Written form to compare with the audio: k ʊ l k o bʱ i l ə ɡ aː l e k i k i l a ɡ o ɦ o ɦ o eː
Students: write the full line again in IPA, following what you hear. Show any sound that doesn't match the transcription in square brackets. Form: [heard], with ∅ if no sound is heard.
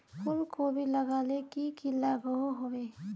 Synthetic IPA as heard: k ʊ l k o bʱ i l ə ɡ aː l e k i k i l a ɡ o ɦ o ɦ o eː